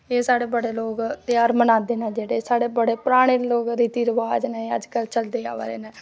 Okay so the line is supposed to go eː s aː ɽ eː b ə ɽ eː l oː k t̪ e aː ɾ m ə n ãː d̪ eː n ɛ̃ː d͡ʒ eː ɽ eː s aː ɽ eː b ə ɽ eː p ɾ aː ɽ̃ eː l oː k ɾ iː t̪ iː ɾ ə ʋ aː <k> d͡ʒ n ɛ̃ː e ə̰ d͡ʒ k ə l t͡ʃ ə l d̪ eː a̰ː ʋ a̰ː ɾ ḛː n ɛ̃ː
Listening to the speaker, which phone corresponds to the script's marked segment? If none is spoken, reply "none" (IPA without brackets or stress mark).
none